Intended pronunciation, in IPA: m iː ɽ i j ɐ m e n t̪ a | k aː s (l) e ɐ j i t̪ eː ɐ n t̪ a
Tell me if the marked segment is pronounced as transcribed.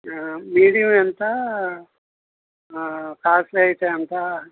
yes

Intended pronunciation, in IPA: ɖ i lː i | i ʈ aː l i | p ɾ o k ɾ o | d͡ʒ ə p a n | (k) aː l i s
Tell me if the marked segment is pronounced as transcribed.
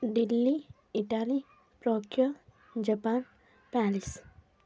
no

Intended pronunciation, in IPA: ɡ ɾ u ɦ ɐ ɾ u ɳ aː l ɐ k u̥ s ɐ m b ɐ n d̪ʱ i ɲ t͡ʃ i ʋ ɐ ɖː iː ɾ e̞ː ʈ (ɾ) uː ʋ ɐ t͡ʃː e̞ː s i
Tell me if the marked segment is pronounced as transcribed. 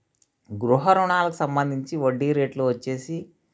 no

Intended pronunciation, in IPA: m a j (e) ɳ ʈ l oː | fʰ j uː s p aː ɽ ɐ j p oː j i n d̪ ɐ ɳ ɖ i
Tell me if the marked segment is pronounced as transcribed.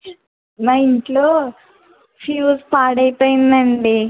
no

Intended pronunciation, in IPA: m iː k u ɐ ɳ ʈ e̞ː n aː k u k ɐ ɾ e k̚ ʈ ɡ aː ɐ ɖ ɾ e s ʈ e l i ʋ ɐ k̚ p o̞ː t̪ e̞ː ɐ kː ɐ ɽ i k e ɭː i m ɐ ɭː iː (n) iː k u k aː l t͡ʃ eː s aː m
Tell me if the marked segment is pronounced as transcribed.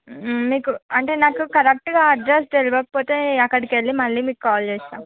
no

